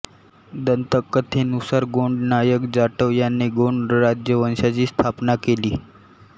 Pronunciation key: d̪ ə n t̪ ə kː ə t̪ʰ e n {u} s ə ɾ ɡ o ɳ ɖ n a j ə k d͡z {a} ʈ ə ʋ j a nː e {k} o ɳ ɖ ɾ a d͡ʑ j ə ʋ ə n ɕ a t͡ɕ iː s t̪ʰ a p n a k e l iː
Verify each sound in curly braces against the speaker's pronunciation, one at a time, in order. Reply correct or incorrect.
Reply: correct, correct, incorrect

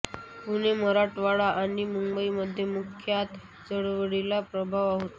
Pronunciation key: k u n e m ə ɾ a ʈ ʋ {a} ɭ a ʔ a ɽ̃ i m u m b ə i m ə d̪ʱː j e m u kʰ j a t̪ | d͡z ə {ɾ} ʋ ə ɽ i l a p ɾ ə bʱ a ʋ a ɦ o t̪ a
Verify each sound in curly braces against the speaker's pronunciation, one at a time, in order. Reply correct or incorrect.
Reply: correct, incorrect

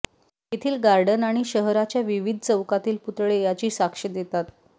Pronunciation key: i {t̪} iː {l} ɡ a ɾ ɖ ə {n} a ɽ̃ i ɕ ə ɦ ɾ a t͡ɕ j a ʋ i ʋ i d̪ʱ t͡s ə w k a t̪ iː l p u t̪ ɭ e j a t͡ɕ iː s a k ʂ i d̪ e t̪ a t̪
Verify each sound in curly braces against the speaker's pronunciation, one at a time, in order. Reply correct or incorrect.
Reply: incorrect, correct, correct

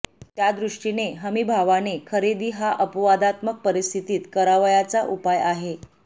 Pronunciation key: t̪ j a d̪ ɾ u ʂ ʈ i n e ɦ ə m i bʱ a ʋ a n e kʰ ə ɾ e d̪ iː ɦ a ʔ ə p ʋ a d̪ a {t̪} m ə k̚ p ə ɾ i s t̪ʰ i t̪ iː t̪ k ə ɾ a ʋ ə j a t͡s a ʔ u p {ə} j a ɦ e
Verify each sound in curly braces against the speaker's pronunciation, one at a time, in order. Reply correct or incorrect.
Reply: correct, incorrect

